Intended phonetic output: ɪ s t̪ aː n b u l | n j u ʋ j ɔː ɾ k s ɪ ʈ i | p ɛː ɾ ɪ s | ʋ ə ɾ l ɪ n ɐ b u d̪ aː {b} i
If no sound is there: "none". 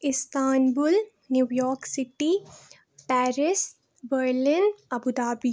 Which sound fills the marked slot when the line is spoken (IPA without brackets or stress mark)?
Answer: b